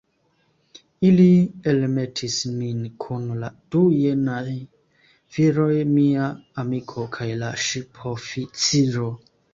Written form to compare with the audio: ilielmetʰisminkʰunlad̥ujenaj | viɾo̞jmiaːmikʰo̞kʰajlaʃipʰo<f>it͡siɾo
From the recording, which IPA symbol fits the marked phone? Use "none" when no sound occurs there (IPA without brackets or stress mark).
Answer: f